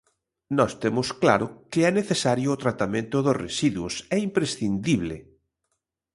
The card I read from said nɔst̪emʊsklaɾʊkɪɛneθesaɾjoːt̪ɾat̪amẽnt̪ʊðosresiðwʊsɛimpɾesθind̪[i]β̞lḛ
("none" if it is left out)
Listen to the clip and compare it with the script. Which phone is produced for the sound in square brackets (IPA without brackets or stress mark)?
i